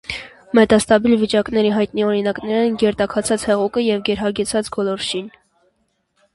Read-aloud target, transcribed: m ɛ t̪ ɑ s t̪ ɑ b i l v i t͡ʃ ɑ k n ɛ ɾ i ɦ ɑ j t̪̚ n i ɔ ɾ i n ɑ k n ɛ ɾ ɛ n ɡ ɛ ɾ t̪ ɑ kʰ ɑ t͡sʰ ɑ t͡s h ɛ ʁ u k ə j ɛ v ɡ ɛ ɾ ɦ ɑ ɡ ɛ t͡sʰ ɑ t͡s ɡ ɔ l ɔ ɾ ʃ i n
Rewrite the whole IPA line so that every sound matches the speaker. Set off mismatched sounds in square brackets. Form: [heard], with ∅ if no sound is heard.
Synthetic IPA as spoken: m ɛ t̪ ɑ s t̪ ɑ b i l v i t͡ʃ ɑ k n ɛ ɾ i ɦ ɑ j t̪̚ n i ɔ ɾ i n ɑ k n ɛ ɾ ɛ n ɡ ɛ ɾ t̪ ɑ kʰ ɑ t͡sʰ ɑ t͡s h ɛ ʁ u k ə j ɛ v ɡ ɛ ɾ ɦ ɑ ɡ ɛ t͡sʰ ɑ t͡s ɡ ɔ l ɔ ɾ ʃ i n